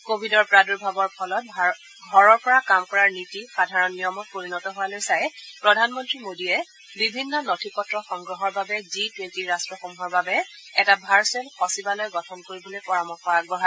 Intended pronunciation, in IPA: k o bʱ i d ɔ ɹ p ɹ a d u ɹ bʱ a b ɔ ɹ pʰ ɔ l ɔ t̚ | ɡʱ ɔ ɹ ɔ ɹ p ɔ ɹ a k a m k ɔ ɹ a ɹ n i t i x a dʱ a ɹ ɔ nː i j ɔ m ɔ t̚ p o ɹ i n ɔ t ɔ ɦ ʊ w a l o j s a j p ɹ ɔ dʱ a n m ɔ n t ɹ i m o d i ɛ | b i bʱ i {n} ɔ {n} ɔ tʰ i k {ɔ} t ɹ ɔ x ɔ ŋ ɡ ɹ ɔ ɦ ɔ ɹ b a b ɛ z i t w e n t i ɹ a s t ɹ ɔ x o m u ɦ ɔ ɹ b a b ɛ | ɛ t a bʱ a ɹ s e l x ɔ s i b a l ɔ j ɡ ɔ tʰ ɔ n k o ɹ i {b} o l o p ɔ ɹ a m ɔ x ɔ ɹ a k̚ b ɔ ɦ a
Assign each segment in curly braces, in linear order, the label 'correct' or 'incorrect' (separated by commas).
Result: incorrect, correct, correct, correct